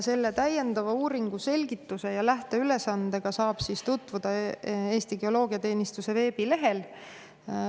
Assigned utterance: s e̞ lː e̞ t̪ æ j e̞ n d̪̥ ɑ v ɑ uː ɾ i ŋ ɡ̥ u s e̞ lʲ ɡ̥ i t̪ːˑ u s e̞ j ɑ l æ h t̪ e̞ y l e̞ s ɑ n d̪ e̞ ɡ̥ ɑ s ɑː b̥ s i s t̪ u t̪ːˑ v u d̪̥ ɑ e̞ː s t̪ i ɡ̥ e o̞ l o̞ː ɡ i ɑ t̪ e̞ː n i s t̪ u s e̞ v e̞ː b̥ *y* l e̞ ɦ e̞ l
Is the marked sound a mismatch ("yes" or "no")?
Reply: yes